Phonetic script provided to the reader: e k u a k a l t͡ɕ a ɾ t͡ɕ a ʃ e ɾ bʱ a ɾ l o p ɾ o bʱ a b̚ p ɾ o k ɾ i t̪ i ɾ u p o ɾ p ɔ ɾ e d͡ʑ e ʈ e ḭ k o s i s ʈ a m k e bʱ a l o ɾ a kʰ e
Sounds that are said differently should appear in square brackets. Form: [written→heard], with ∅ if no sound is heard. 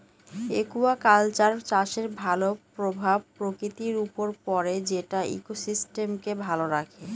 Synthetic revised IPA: e k u a k a l t͡ɕ a ɾ t͡ɕ a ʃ e ɾ bʱ a [ɾ→∅] l o p ɾ o bʱ a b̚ p ɾ o k ɾ i t̪ i ɾ u p o ɾ p ɔ ɾ e d͡ʑ e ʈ [e→a] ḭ k o s i s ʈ [a→e] m k e bʱ a l o ɾ a kʰ e

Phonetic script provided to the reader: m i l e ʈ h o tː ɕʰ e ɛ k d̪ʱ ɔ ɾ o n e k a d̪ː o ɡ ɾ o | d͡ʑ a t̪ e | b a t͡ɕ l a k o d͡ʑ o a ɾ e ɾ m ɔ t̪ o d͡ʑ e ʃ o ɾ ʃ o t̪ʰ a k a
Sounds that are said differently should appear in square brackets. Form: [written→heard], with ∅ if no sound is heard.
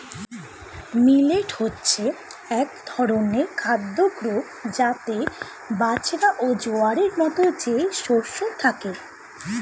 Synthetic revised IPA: m i l e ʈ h o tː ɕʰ e ɛ k d̪ʱ ɔ ɾ o n e [k→kʰ] a d̪ː o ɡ ɾ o | d͡ʑ a t̪ e | b a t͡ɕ [l→ɾ] a [k→ʔ] o d͡ʑ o a ɾ e ɾ m ɔ t̪ o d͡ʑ e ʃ o ɾ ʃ o t̪ʰ a k [a→e]

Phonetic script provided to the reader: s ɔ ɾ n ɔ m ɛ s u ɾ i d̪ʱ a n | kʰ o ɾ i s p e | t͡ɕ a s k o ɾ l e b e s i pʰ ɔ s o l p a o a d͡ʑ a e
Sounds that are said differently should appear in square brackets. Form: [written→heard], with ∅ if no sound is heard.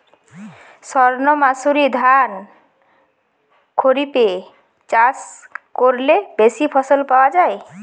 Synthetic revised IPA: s ɔ ɾ n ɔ m [ɛ→a] s u ɾ i d̪ʱ a n | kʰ o ɾ i [s→∅] p e | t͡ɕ a s k o ɾ l e b e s i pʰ ɔ s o l p a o a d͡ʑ a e

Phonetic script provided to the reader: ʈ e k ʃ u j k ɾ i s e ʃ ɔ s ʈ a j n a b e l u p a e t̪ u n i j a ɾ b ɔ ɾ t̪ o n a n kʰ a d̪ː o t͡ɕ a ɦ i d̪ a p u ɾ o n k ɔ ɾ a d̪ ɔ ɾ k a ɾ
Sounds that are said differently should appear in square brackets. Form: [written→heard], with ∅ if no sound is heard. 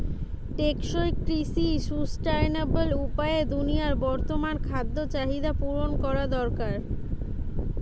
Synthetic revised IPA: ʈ e k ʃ [u→o] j k ɾ i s [e→i] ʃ [ɔ→u] s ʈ a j n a b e l u p a e [t̪→d̪] u n i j a ɾ b ɔ ɾ t̪ o [n→m] a n kʰ a d̪ː o t͡ɕ a ɦ i d̪ a p u ɾ o n k ɔ ɾ a d̪ ɔ ɾ k a ɾ

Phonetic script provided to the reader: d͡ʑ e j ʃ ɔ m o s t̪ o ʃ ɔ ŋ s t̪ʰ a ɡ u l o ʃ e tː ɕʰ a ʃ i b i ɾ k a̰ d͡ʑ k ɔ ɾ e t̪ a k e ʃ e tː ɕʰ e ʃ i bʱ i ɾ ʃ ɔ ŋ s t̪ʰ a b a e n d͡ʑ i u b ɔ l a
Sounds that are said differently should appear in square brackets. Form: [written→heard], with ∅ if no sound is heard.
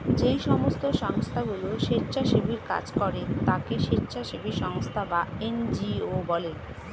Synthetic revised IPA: d͡ʑ e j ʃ ɔ m o s t̪ o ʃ ɔ ŋ s t̪ʰ a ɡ u l o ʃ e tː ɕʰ a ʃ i b i ɾ k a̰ d͡ʑ k ɔ ɾ e t̪ a k e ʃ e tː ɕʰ [e→a] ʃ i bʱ i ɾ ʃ ɔ ŋ s t̪ʰ a b a e n d͡ʑ i [u→o] b ɔ l [a→e]

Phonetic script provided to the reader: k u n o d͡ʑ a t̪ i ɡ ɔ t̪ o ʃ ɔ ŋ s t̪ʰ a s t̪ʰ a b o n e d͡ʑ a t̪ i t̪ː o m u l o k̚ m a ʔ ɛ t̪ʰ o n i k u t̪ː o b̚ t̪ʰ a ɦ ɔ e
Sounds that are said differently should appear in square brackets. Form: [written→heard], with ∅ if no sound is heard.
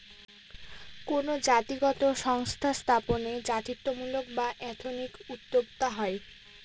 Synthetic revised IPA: k [u→o] n o d͡ʑ a t̪ i ɡ ɔ t̪ o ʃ ɔ ŋ s t̪ʰ a s t̪ʰ a [b→p] o n e d͡ʑ a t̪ i t̪ː o m u l o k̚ [m→b] a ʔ ɛ t̪ʰ o n i k u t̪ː o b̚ [t̪ʰ→t̪] a ɦ ɔ e

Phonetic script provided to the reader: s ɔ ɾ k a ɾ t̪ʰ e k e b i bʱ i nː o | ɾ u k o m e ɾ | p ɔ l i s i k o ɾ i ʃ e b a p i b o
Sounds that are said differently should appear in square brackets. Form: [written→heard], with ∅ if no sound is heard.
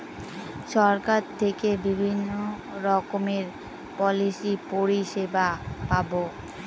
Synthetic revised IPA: [s→ʃ] ɔ ɾ k a ɾ t̪ʰ e k e b i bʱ i nː o | ɾ [u→ɔ] k o m e ɾ | p ɔ l i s i [k→p] o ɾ i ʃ e b a p [i→a] b o

